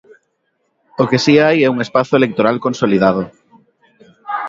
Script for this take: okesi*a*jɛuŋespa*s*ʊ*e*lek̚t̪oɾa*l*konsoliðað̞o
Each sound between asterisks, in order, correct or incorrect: correct, incorrect: θ, correct, correct

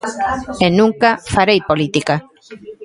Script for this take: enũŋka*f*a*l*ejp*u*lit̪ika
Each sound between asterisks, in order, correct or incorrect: correct, incorrect: ɾ, incorrect: o

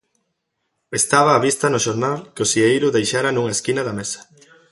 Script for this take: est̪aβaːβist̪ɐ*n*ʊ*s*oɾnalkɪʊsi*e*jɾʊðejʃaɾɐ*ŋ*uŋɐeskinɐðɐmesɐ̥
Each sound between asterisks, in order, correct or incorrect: correct, incorrect: ʃ, correct, incorrect: n

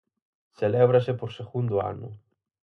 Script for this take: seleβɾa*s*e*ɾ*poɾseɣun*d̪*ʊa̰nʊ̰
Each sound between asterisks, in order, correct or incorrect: correct, incorrect: none, correct

